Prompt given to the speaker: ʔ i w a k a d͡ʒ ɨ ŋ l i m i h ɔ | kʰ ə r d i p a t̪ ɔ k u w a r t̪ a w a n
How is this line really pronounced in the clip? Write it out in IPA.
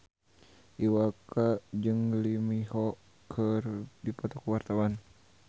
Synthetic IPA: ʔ i w a k a d͡ʒ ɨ ŋ l i m i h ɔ | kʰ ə r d i p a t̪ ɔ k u w a r t̪ a w a n